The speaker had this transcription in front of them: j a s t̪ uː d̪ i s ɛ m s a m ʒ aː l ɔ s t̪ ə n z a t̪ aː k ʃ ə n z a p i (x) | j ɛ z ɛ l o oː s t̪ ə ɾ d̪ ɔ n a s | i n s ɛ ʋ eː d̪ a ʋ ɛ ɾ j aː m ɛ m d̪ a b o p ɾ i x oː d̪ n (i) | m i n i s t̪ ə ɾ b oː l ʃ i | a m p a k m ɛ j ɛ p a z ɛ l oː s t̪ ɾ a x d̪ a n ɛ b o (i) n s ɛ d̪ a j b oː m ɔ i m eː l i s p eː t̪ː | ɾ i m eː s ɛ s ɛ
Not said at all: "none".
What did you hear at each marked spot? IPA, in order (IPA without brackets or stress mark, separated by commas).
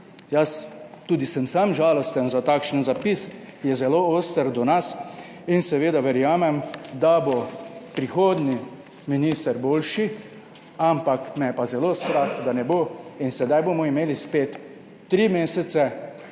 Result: s, i, i